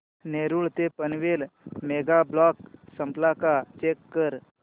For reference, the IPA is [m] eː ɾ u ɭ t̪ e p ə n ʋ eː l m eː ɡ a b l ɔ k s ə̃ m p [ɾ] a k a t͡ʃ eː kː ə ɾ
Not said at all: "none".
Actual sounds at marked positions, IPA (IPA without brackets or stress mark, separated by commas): n, l